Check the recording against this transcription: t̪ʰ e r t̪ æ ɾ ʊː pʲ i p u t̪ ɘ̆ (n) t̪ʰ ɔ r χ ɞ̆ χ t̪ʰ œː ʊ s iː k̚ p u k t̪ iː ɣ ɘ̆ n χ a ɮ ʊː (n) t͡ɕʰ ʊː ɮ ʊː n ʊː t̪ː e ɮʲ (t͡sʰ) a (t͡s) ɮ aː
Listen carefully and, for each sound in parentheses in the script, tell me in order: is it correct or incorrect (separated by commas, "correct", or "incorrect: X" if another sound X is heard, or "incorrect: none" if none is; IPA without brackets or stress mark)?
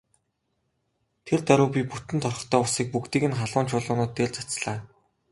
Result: correct, correct, incorrect: t͡s, correct